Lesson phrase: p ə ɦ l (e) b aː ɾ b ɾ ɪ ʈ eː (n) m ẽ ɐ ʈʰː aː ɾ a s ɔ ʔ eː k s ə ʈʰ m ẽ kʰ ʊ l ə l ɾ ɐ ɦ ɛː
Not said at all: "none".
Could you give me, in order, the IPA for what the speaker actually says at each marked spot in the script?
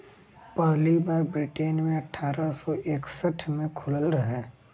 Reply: i, n

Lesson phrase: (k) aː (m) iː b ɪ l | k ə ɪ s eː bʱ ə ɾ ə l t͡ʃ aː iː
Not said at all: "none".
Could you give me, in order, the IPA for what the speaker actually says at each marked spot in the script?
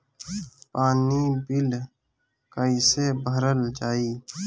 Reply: p, n

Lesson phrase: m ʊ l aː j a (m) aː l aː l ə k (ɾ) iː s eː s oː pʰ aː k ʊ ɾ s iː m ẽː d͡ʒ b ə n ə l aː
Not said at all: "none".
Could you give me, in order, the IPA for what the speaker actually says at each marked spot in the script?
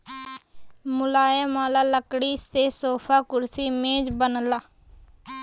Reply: m, ɽ

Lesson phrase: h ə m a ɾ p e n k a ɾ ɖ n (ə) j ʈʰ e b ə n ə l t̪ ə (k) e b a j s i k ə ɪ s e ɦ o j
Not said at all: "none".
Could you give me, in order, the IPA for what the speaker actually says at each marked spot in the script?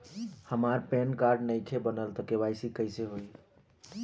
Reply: ə, k

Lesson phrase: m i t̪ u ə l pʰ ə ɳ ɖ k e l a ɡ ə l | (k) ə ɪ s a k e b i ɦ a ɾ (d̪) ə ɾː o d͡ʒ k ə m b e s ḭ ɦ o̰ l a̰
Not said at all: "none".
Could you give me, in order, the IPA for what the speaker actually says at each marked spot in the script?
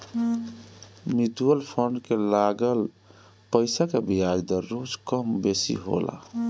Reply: p, d̪

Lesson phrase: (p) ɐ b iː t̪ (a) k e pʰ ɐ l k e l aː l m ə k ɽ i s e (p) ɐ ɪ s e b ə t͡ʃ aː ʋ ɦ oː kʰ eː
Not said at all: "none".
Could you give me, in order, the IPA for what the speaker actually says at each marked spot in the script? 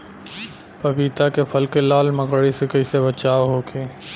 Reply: p, a, k

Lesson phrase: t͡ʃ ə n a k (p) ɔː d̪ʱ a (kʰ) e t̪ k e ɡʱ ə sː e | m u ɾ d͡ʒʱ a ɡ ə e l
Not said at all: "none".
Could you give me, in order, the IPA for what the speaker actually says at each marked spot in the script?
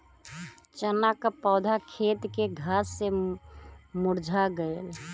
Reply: p, kʰ

